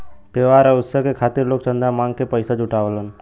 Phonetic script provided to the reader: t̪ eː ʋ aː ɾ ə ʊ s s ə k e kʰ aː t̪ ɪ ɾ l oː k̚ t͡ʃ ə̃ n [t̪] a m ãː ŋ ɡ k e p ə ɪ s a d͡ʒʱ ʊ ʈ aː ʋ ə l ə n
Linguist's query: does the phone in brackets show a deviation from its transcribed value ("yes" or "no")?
yes